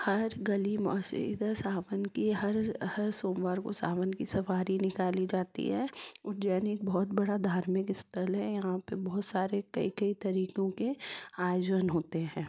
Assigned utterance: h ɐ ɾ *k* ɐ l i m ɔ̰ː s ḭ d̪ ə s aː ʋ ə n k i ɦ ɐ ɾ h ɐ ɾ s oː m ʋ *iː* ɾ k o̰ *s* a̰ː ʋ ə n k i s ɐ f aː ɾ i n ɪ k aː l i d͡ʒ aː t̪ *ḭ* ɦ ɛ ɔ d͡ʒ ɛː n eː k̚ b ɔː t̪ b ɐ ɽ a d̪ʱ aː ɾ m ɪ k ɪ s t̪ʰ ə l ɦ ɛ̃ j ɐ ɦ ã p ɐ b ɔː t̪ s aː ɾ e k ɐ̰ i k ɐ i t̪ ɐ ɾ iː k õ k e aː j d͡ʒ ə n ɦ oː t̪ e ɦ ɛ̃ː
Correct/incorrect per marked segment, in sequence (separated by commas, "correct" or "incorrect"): incorrect, incorrect, correct, correct